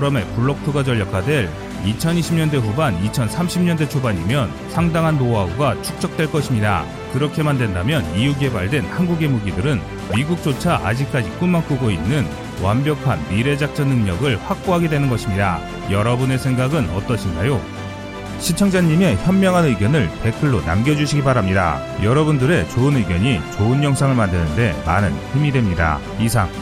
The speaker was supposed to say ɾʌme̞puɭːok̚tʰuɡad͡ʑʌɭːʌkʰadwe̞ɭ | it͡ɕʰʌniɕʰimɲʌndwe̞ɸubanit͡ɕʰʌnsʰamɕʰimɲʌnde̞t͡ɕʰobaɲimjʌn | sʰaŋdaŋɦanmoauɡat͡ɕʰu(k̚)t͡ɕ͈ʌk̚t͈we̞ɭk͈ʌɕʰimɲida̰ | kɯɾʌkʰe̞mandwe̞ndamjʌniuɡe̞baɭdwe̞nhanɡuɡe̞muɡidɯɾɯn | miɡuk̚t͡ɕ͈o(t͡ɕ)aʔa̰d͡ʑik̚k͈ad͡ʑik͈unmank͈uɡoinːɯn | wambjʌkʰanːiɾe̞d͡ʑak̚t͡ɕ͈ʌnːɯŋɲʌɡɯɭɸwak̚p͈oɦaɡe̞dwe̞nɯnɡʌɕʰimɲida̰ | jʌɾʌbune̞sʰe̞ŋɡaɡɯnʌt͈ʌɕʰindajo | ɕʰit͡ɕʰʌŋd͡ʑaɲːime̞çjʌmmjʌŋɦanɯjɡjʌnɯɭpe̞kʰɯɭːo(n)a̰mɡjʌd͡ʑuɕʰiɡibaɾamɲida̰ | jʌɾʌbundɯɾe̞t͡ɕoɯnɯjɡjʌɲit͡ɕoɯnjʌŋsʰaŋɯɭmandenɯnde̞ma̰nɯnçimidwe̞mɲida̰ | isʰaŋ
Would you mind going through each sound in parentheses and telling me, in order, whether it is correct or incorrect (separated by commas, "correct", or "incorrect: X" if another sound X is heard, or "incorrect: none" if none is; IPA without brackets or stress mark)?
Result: correct, incorrect: t͡ɕʰ, correct